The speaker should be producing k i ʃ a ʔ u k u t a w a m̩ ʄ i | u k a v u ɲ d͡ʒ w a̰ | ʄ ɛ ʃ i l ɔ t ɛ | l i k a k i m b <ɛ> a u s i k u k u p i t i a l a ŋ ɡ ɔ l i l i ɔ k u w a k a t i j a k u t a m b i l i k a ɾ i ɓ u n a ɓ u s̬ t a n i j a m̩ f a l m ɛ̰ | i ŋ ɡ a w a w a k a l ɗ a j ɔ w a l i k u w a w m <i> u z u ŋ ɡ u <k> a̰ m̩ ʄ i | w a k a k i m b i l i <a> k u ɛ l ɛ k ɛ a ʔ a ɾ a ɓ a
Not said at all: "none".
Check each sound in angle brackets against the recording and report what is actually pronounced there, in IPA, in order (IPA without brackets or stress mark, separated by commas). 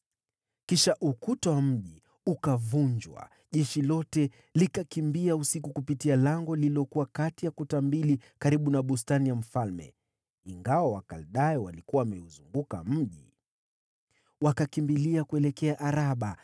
i, ɛ, k, a